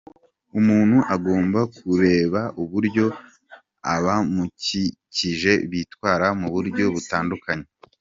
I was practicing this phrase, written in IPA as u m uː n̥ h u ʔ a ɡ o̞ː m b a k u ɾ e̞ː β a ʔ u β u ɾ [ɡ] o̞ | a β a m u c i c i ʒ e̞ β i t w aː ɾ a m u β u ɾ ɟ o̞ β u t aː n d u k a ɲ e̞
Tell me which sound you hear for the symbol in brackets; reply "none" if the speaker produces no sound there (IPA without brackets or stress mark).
ɟ